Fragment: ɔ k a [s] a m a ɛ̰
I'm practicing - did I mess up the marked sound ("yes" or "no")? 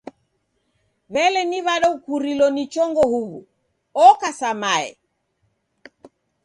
no